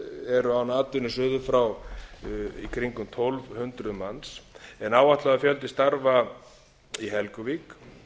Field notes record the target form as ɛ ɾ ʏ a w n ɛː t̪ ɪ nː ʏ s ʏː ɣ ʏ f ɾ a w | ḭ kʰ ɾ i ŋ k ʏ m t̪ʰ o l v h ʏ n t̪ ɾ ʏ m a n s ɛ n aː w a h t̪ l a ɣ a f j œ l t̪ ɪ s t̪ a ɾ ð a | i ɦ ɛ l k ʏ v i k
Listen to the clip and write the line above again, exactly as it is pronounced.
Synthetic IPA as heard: ɛ ɾ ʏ a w n aː t̪ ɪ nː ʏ s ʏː ð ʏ f ɾ a w | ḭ kʰ ɾ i ŋ k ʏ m t̪ʰ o l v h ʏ n t̪ ɾ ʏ m a n s ɛ n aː w a h t̪ l a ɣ a f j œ l t̪ ɪ s t̪ a ɾ v a | i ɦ ɛ l k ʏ v i k